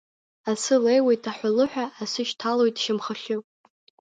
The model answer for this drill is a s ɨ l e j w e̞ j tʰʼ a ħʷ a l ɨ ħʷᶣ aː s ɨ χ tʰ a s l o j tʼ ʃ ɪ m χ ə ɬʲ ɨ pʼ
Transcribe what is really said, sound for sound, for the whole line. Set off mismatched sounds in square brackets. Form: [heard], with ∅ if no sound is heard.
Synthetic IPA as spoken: a s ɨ l e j w e̞ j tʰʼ a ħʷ a l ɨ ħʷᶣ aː s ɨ [ʃ] tʰ a [∅] l o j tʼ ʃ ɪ m χ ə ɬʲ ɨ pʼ